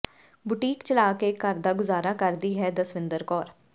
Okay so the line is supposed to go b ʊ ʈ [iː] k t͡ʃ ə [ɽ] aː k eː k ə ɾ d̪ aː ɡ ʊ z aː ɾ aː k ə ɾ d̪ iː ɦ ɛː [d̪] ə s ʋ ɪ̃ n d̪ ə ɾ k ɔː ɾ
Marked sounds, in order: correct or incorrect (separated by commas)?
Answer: correct, incorrect, correct